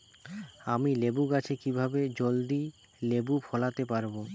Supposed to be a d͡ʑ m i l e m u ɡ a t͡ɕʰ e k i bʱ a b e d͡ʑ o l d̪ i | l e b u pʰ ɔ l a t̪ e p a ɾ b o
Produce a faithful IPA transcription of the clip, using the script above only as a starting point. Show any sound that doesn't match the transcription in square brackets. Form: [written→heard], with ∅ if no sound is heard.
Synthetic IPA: a [d͡ʑ→∅] m i l e [m→b] u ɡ a t͡ɕʰ e k i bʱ a b e d͡ʑ o l d̪ i | l e b u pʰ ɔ l a t̪ e p a ɾ b o